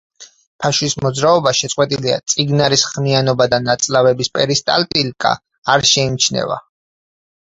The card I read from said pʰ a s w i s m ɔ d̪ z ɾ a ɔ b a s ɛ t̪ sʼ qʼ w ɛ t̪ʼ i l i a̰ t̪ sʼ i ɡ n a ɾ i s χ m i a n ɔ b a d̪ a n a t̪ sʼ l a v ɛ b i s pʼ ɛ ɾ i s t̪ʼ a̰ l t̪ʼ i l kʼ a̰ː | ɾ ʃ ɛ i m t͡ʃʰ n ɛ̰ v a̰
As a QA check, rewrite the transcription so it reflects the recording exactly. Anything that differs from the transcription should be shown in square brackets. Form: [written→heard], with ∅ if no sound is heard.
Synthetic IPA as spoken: pʰ a [s→ʃ] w i s m ɔ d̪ z ɾ a ɔ b a [s→ʃ] ɛ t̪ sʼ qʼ w ɛ t̪ʼ i l i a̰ t̪ sʼ i ɡ n a ɾ i s χ m i a n ɔ b a d̪ a n a t̪ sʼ l a v ɛ b i s pʼ ɛ ɾ i s t̪ʼ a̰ l t̪ʼ i l kʼ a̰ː | ɾ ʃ ɛ i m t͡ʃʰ n ɛ̰ v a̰